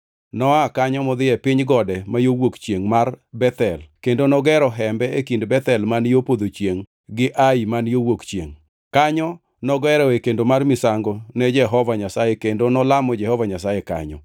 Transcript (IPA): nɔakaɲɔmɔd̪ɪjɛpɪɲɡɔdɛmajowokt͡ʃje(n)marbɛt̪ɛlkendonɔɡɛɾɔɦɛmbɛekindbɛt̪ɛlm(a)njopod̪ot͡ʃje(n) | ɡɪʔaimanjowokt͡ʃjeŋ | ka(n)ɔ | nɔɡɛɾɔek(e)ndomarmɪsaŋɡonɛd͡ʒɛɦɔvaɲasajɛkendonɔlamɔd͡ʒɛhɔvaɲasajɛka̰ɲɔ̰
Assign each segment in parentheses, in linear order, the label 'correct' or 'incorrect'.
incorrect: ŋ, correct, incorrect: ŋ, incorrect: ɲ, correct

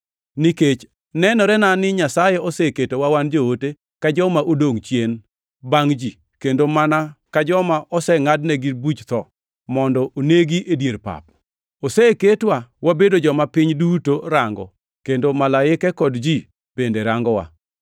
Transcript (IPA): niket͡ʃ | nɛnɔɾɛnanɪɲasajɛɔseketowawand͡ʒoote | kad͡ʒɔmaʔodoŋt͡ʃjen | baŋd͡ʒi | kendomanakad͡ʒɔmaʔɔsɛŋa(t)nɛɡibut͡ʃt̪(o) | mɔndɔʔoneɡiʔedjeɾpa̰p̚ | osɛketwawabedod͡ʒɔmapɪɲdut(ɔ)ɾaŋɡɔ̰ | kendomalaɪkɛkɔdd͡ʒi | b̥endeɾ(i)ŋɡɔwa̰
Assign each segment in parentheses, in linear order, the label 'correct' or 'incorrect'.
incorrect: d, incorrect: ɔ, incorrect: o, incorrect: a

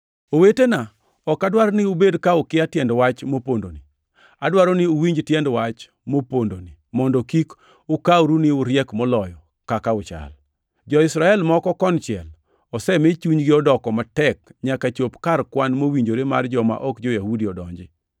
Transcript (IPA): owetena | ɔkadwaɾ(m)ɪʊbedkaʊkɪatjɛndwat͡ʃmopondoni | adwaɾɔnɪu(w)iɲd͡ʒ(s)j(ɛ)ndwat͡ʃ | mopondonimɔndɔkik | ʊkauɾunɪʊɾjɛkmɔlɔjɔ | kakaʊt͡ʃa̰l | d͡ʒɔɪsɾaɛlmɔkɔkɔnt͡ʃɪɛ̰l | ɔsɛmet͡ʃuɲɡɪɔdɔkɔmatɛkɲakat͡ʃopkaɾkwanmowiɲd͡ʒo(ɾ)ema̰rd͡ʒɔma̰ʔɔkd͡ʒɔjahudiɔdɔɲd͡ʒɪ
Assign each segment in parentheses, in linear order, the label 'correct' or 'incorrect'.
incorrect: n, correct, incorrect: t, correct, correct

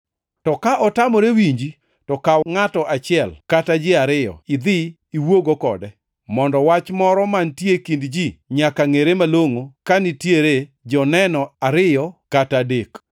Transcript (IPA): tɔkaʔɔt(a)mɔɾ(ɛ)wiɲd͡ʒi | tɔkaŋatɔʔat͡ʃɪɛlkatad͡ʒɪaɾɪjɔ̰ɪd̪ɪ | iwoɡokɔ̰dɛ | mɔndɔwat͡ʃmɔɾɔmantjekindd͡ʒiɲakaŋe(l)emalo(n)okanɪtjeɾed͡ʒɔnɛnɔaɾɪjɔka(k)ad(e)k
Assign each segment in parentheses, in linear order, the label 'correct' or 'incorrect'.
correct, incorrect: e, incorrect: ɾ, incorrect: ŋ, incorrect: t, correct

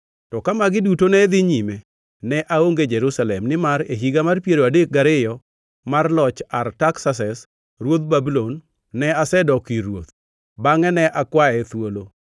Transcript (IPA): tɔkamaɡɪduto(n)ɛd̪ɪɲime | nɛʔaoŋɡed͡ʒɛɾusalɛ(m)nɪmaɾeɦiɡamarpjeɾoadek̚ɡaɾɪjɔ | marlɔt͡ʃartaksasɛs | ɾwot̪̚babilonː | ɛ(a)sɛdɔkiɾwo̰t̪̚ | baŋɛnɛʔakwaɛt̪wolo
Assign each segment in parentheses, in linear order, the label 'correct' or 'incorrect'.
correct, correct, correct

